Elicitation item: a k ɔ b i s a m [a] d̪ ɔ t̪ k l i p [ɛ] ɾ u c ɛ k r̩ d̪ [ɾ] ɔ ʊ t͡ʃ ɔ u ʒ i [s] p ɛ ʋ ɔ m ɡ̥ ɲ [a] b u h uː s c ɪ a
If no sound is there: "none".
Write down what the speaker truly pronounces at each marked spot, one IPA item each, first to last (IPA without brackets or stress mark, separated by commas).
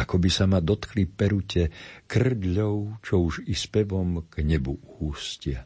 a, ɛ, ʎ, s, ɛ